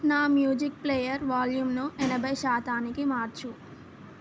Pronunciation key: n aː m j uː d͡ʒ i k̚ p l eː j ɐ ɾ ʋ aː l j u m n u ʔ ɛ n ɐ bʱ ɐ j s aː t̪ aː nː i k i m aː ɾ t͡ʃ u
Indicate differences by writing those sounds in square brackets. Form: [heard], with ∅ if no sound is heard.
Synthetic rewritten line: n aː m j uː d͡ʒ i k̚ p l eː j ɐ ɾ ʋ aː l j u m n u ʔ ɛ n ɐ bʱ ɐ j [ʃ] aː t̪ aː [n] i k i m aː ɾ t͡ʃ u